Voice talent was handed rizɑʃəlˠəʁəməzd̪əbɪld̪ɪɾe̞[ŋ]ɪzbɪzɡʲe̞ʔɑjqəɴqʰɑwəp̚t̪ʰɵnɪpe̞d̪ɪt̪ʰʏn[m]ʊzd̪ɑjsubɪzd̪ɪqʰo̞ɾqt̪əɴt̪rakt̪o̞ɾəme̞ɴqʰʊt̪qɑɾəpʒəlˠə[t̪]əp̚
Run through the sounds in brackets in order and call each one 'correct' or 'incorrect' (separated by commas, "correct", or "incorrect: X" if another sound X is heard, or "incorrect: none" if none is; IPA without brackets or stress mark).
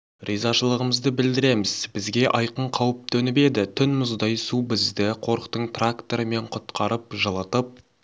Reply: incorrect: m, correct, correct